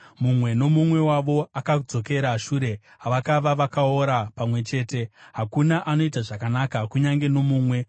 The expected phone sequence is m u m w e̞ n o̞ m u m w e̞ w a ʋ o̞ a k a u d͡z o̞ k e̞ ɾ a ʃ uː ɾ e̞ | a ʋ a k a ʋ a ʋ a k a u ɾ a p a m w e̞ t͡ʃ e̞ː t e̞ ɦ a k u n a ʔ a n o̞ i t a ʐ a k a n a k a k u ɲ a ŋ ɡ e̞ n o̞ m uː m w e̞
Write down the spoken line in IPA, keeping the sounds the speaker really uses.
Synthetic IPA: m u m w e̞ n o̞ m u m w e̞ w a ʋ o̞ a k a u d͡z o̞ k e̞ ɾ a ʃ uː ɾ e̞ | a ʋ a k a ʋ a ʋ a k a o ɾ a p a m w e̞ t͡ʃ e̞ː t e̞ ɦ a k u n a ʔ a n o̞ i t a ʐ a k a n a k a k u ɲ a ŋ ɡ e̞ n o̞ m uː m w e̞